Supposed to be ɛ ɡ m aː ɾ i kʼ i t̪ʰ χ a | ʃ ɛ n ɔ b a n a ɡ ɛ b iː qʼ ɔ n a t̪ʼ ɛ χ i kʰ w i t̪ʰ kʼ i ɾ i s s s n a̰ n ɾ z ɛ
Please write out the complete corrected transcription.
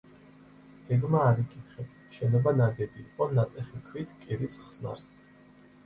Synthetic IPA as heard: ɛ ɡ m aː ɾ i kʼ i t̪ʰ χ ɛ | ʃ ɛ n ɔ b a n a ɡ ɛ b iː qʼ ɔ n a t̪ʼ ɛ χ i kʰ w i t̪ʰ kʼ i ɾ i s χ s n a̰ ɾ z ɛ